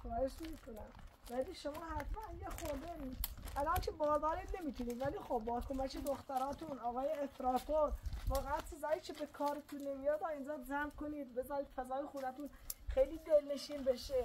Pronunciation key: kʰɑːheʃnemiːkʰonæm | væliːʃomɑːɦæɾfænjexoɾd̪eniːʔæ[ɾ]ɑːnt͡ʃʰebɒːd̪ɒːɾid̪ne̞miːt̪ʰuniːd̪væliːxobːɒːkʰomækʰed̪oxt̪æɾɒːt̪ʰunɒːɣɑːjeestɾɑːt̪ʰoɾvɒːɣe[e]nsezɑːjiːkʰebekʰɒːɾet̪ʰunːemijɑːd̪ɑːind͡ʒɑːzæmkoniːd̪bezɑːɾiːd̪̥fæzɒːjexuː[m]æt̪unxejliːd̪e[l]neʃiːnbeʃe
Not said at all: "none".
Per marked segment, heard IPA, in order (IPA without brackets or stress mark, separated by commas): l, æ, n, l